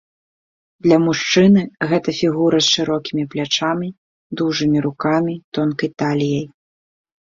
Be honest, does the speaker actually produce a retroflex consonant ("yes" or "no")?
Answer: yes